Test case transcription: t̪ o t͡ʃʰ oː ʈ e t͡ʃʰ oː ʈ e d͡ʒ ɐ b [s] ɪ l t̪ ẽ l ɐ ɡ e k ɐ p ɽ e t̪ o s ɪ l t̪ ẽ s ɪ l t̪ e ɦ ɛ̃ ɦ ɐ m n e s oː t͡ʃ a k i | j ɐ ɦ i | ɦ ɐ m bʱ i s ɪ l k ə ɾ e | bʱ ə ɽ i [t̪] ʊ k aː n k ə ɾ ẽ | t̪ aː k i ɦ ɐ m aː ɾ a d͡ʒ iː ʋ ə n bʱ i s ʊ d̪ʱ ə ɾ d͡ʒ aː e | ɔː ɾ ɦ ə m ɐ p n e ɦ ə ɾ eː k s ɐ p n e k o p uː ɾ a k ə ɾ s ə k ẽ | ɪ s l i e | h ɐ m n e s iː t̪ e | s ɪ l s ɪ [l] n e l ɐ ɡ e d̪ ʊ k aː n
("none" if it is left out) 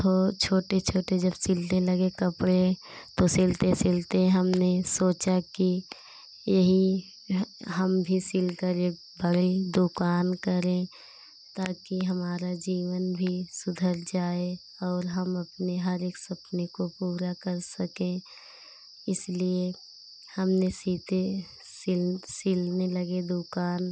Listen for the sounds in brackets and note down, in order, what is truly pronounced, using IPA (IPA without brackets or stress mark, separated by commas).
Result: s, d̪, l